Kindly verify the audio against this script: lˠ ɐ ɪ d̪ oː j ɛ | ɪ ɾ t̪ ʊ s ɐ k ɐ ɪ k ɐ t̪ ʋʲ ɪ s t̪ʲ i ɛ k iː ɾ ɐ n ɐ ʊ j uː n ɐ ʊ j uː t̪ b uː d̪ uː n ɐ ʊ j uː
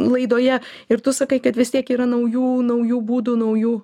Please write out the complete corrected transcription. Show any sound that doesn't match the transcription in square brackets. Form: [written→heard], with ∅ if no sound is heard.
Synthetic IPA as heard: lˠ ɐ ɪ d̪ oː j ɛ | ɪ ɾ t̪ ʊ s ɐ k ɐ ɪ k ɐ t̪ ʋʲ ɪ s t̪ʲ i ɛ k iː ɾ ɐ n ɐ ʊ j uː n ɐ ʊ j uː [t̪→∅] b uː d̪ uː n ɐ ʊ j uː